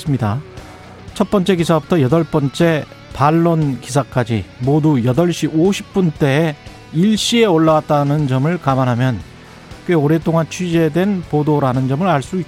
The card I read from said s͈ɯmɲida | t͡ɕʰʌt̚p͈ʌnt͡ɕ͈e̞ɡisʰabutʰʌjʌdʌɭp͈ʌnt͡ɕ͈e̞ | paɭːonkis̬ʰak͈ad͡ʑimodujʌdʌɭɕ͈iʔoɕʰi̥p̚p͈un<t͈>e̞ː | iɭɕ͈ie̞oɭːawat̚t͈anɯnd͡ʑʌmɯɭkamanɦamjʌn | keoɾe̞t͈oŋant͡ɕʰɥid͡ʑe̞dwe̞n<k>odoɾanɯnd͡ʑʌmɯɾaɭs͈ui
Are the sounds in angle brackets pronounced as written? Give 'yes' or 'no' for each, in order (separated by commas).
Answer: yes, no